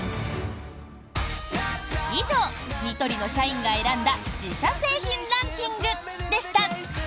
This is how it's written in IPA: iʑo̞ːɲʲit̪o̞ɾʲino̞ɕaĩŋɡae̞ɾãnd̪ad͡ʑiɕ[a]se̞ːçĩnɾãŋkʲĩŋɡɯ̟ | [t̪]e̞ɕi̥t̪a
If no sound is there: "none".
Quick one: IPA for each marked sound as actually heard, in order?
a, d̪

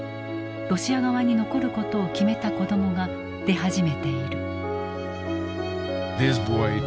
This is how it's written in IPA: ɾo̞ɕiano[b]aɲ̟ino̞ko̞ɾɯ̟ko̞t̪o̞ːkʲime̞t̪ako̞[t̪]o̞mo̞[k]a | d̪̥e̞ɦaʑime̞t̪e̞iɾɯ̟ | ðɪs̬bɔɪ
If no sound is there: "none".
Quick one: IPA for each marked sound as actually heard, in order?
β, d̪, ɡ

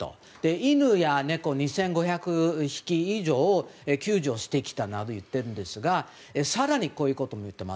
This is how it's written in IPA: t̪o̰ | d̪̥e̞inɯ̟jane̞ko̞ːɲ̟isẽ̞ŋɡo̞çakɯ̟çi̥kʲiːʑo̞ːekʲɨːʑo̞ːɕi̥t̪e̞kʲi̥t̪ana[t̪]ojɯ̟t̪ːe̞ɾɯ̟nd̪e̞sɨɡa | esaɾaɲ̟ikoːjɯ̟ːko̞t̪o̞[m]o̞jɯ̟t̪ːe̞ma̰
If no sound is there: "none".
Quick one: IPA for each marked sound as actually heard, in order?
d̪, m

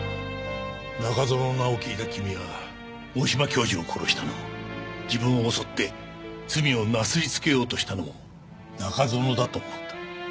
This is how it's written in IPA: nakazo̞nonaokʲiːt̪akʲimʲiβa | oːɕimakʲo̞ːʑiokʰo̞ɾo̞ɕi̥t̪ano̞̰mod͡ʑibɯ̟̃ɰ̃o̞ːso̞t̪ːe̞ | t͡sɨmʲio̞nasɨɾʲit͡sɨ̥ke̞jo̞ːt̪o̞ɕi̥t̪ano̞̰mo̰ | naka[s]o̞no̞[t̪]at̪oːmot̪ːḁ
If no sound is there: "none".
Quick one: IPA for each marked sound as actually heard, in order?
z, d̪

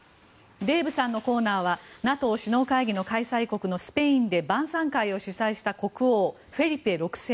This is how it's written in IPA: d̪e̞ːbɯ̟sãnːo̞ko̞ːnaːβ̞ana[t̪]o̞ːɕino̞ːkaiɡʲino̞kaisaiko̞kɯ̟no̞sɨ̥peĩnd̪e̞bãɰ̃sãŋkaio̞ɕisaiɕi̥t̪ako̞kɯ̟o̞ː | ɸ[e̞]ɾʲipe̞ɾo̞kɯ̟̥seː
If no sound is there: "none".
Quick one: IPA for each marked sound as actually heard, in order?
t̪, e̞

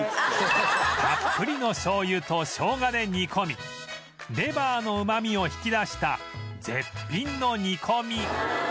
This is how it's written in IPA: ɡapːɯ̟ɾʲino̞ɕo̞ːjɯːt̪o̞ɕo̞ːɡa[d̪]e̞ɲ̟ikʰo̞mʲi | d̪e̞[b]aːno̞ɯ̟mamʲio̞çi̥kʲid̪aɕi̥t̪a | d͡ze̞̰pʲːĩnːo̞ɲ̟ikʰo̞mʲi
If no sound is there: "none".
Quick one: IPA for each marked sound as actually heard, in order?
d̪, b

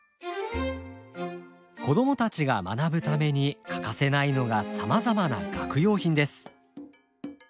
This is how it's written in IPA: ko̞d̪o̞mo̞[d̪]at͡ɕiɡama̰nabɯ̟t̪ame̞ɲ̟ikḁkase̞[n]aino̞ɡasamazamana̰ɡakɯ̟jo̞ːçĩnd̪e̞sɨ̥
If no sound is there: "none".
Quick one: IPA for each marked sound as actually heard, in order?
t̪, n

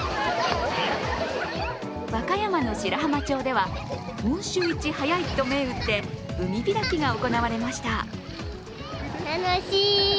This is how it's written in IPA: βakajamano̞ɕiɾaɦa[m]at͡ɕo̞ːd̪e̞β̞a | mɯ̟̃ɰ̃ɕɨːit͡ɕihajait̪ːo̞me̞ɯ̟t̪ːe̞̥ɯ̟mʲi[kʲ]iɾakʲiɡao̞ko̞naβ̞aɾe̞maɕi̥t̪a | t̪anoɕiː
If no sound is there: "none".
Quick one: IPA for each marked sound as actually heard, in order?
m, ɡʲ

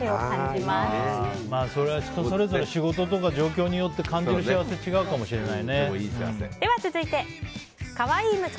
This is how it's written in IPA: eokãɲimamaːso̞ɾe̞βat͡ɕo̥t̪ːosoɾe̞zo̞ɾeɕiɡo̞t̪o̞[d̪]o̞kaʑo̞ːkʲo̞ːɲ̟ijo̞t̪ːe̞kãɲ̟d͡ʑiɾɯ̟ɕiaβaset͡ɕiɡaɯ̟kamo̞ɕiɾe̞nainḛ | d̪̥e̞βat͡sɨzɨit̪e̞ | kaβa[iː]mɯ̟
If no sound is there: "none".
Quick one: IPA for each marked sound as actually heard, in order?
t̪, iː

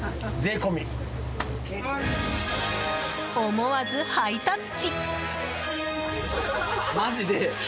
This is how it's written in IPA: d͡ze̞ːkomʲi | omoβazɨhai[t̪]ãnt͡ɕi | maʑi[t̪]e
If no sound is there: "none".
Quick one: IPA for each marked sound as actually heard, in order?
t̪, d̪

